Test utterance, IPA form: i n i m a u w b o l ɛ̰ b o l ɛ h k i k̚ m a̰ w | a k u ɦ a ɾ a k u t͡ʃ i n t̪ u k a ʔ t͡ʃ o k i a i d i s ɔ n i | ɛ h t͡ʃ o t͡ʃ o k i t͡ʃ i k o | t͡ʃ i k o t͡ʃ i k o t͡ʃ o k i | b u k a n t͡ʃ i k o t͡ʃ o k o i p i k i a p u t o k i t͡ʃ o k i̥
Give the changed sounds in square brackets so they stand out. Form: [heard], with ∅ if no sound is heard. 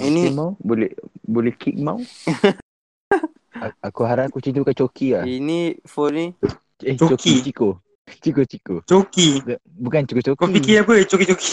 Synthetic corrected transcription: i n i m a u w b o l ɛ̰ b o l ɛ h k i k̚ m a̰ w | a k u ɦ a ɾ a k u t͡ʃ i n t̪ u k a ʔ t͡ʃ o k i a i [n] i [f] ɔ n i | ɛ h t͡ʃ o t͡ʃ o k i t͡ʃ i k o | t͡ʃ i k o t͡ʃ i k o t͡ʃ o k i | b u k a n t͡ʃ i k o t͡ʃ o k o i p i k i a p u [t͡ʃ] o k i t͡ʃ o k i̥